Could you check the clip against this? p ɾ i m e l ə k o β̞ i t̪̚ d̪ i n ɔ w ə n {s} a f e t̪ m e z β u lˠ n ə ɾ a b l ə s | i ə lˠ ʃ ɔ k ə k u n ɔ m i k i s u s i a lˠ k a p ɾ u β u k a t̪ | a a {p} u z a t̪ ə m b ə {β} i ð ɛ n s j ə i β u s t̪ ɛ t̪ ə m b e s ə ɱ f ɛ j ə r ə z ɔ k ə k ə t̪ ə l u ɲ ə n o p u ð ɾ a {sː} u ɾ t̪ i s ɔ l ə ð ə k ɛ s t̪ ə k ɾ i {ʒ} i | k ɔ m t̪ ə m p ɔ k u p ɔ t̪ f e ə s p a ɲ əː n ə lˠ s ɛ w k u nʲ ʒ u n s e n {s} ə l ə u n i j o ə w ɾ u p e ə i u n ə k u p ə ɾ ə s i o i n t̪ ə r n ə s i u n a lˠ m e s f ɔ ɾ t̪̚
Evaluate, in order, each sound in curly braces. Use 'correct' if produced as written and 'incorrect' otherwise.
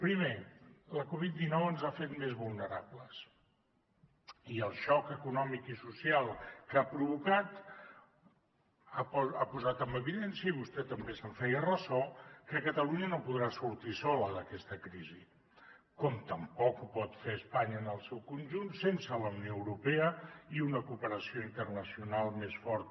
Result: incorrect, correct, correct, incorrect, incorrect, correct

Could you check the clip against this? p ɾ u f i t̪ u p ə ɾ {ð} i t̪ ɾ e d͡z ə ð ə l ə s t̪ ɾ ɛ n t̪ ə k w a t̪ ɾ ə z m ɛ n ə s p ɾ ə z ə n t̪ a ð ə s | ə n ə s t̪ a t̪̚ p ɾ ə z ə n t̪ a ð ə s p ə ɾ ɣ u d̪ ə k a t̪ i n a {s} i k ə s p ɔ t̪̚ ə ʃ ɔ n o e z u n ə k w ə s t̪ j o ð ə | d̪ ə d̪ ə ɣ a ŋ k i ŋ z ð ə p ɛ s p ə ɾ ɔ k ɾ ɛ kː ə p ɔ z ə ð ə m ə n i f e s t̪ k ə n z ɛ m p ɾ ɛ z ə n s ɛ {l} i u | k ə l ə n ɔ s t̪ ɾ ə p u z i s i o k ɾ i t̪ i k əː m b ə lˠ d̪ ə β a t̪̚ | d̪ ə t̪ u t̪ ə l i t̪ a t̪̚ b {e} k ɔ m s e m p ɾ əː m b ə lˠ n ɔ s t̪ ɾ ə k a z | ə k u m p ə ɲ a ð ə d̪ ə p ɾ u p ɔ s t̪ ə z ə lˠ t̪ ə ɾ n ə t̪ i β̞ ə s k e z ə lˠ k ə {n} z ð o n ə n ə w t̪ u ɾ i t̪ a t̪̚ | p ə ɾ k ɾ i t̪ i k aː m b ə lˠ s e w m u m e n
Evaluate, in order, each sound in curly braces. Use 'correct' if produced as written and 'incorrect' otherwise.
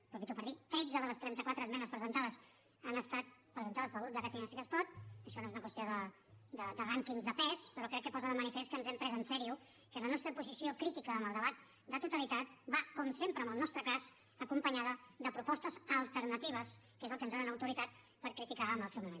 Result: correct, correct, incorrect, incorrect, correct

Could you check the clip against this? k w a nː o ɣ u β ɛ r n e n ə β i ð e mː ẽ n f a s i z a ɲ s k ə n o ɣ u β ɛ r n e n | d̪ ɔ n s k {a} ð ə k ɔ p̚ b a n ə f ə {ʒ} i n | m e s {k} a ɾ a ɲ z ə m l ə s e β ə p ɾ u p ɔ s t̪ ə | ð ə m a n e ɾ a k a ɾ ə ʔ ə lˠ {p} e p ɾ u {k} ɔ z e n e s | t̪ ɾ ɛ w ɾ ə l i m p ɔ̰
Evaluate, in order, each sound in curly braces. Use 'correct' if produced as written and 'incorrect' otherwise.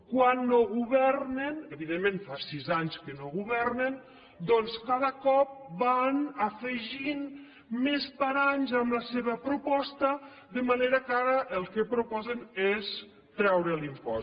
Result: correct, correct, incorrect, incorrect, incorrect

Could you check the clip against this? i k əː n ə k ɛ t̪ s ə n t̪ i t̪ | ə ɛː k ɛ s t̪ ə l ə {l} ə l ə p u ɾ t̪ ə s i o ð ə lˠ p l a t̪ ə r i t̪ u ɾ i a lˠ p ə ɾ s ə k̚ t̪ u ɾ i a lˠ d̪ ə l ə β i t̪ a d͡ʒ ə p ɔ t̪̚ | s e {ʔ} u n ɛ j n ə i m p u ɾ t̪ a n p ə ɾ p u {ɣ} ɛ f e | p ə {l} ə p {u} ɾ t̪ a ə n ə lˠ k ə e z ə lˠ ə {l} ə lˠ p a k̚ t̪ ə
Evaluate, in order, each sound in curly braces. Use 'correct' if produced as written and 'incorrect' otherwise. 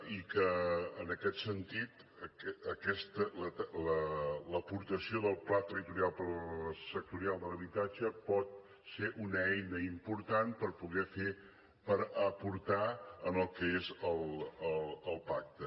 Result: correct, correct, correct, incorrect, correct, correct

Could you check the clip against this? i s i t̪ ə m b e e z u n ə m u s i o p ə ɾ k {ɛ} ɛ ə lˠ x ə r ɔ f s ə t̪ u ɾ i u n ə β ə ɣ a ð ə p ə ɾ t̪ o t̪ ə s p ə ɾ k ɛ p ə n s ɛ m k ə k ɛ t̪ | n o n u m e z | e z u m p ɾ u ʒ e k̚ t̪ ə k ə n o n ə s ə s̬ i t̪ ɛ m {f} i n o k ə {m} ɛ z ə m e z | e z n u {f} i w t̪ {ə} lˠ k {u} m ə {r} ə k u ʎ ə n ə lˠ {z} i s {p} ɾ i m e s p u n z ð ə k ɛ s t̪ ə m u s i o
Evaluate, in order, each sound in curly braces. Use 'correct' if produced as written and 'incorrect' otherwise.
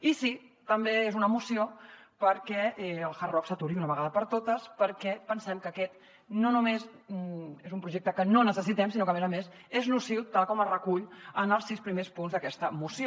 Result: correct, incorrect, correct, incorrect, incorrect, incorrect, correct, incorrect, correct

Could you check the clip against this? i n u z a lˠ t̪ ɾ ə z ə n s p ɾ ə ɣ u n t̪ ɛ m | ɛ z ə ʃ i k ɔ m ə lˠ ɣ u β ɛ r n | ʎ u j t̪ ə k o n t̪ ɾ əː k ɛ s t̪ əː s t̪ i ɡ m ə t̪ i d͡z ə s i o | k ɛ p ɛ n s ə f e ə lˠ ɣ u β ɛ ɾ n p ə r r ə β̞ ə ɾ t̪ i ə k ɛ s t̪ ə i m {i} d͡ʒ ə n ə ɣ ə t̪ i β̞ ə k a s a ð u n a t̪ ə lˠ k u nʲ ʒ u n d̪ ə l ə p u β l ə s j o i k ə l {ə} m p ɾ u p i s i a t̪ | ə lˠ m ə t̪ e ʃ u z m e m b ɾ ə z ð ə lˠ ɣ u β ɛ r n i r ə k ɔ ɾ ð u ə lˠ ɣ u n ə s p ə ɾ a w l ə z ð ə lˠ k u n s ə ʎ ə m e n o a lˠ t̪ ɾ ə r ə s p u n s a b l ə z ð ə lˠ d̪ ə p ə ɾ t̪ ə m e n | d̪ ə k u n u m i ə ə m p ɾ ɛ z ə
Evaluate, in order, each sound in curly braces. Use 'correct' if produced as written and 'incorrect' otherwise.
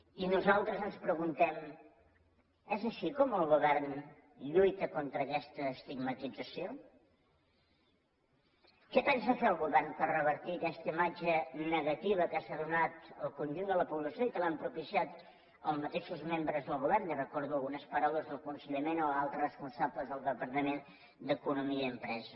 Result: incorrect, incorrect

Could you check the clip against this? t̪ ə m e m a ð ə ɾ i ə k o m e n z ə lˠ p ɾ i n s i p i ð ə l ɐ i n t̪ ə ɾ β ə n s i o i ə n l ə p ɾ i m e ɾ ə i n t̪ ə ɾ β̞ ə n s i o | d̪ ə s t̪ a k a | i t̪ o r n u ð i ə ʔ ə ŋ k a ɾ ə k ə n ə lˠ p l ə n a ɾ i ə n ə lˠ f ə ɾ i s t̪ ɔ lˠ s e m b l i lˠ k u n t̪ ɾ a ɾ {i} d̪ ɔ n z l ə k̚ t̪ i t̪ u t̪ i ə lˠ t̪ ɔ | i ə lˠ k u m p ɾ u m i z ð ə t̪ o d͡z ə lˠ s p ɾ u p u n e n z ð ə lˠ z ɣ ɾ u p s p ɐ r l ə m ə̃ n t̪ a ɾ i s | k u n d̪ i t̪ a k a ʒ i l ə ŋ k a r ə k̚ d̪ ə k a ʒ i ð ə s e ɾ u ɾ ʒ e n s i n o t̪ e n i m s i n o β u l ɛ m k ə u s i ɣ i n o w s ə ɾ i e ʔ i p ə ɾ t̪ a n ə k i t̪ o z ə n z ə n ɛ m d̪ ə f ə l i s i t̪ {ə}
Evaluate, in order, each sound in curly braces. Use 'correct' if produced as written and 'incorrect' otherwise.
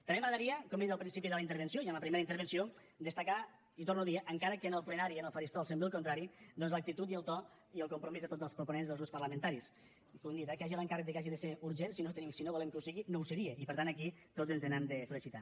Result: correct, incorrect

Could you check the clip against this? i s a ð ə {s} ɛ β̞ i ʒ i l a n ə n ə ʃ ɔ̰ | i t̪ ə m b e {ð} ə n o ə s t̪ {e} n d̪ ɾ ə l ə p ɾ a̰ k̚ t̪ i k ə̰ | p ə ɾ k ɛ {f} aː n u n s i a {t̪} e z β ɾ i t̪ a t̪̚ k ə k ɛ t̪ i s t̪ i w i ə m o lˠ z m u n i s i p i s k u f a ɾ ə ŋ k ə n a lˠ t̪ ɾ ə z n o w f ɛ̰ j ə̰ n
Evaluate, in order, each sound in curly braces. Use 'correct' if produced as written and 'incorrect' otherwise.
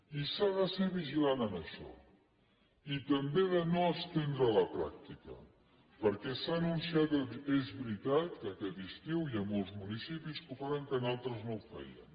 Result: correct, correct, correct, incorrect, correct

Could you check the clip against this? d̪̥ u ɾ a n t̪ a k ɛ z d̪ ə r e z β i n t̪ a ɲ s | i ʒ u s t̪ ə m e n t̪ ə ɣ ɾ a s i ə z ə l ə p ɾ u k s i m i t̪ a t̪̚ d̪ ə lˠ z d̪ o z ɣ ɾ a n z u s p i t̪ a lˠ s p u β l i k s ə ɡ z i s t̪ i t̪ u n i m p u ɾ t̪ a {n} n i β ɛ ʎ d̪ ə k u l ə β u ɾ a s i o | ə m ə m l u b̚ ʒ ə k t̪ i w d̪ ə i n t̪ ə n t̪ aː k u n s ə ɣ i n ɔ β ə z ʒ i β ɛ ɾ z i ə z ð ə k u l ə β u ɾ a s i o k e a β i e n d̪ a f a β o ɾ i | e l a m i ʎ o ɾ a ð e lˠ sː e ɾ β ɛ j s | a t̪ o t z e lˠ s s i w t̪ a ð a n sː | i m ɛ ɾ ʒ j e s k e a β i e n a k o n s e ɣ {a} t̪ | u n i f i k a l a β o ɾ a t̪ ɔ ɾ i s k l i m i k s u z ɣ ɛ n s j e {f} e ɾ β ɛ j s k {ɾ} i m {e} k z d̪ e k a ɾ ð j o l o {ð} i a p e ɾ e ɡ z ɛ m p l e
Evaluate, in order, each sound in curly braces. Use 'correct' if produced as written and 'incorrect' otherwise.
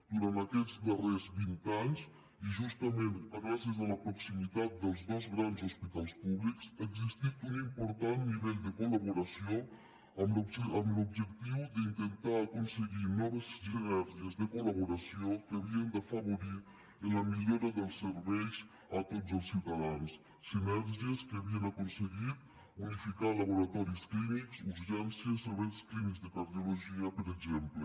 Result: correct, incorrect, incorrect, incorrect, incorrect, incorrect

